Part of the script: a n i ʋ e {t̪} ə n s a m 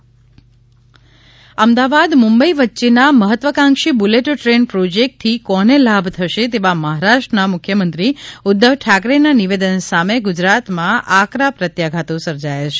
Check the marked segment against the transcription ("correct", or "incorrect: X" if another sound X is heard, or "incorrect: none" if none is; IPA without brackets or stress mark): incorrect: d̪